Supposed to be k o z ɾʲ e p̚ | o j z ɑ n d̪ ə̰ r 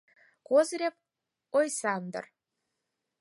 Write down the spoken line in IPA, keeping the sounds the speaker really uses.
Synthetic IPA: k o z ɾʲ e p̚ | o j s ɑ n d̪ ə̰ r